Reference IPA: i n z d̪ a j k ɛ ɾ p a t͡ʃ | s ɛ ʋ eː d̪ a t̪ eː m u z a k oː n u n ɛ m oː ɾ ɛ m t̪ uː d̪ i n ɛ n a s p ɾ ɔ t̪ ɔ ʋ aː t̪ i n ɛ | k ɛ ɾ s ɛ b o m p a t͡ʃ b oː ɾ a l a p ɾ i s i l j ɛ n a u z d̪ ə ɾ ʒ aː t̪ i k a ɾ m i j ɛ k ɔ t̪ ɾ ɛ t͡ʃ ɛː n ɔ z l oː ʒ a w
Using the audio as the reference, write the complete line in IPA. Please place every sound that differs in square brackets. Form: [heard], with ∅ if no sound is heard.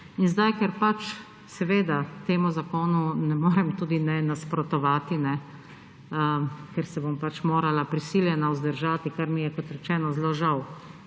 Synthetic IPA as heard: i n z d̪ a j k ɛ ɾ p a t͡ʃ | s ɛ ʋ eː d̪ a t̪ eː m u z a k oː n u n ɛ m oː ɾ ɛ m t̪ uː d̪ i n ɛ n a s p ɾ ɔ t̪ ɔ ʋ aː t̪ i n ɛ | k ɛ ɾ s ɛ b o m p a t͡ʃ [m] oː ɾ a l a p ɾ i s i l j ɛ n a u z d̪ ə ɾ ʒ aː t̪ i k a ɾ m i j ɛ k ɔ t̪ ɾ ɛ t͡ʃ ɛː n ɔ z l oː ʒ a w